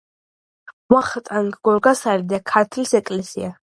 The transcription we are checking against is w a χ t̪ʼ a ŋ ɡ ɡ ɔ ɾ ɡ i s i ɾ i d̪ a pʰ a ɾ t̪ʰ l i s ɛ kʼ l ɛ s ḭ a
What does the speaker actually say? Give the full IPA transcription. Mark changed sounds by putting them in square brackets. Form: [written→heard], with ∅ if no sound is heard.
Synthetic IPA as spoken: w a χ t̪ʼ a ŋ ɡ ɡ ɔ ɾ ɡ [i→a] s [i→a] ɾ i d̪ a [pʰ→kʰ] a ɾ t̪ʰ l i s ɛ kʼ l ɛ s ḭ a